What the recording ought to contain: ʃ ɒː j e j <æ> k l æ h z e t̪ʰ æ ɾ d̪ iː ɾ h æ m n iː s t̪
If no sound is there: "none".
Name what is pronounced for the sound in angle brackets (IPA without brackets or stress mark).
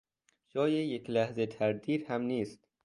e